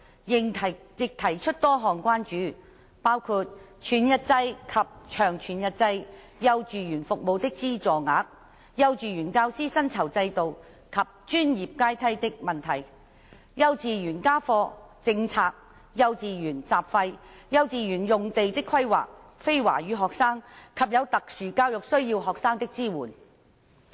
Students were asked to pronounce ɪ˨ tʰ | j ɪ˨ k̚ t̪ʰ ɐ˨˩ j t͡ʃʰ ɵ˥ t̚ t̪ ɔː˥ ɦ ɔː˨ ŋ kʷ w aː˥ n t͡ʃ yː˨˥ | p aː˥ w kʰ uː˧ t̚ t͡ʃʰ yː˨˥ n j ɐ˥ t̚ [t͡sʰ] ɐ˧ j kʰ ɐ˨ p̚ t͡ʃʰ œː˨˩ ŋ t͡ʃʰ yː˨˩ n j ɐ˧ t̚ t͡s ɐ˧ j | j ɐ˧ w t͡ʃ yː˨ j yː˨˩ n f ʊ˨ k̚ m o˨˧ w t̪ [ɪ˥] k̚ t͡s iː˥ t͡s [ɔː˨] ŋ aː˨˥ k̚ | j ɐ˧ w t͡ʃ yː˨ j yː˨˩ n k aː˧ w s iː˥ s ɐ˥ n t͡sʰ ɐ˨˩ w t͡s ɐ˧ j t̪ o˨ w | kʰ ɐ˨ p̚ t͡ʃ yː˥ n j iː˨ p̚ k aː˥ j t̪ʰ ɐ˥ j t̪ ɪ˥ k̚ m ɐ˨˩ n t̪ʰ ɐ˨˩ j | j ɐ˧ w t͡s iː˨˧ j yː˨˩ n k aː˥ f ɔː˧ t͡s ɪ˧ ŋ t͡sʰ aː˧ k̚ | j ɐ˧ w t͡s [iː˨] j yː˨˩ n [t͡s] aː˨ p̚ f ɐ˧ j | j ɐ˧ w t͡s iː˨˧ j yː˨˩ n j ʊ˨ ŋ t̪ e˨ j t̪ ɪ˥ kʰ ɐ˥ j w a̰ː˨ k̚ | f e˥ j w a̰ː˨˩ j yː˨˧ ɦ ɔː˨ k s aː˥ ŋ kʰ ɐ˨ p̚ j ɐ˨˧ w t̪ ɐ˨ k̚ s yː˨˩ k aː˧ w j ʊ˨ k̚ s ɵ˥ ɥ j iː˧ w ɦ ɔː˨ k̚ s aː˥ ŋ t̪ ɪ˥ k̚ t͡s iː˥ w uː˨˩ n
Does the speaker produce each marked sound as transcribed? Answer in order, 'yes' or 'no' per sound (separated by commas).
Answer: no, yes, yes, yes, yes